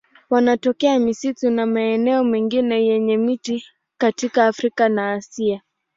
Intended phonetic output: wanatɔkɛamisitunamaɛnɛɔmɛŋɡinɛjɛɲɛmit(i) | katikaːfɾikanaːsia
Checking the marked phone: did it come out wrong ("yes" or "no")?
no